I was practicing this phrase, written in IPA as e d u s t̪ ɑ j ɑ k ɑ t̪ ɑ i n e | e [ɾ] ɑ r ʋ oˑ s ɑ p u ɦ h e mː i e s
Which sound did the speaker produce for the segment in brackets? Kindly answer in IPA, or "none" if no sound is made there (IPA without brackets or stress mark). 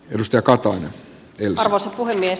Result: l